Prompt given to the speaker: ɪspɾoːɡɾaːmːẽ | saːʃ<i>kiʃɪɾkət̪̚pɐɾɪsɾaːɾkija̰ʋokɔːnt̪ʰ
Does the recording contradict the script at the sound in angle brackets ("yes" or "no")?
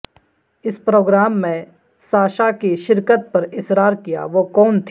yes